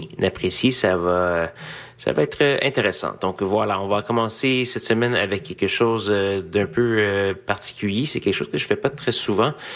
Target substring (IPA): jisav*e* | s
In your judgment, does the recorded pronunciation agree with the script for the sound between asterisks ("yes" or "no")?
no